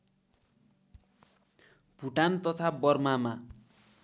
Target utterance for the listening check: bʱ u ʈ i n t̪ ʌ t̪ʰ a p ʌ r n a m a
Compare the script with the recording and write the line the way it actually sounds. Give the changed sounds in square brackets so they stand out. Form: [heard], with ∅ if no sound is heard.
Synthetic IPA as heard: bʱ u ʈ [a] n t̪ ʌ t̪ʰ a [b] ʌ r [m] a m a